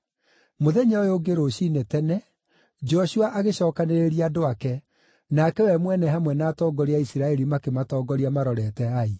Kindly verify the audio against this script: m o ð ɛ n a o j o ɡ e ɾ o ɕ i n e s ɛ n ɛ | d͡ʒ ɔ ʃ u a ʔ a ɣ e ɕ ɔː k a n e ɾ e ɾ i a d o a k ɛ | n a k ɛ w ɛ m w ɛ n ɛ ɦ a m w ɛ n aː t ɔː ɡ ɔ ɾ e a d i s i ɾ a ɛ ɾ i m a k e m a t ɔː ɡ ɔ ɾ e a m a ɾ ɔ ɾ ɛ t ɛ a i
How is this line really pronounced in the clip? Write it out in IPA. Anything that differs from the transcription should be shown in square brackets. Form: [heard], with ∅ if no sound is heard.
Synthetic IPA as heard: m o ð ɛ [ɲ] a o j o ɡ e ɾ o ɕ i n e [t] ɛ n ɛ | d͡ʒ ɔ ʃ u a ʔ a ɣ e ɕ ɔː k a n e ɾ e ɾ i a d o a k ɛ | n a k ɛ w ɛ m w ɛ n ɛ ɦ a m w ɛ n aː t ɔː ɡ ɔ ɾ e a [∅] i s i ɾ a ɛ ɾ i m a k e m a t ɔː ɡ ɔ ɾ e a m a ɾ ɔ ɾ ɛ t ɛ a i